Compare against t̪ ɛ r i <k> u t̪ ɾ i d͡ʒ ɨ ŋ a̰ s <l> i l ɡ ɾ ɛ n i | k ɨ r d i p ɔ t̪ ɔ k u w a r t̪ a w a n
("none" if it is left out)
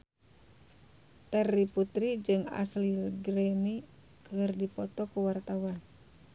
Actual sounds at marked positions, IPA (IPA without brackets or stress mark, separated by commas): p, l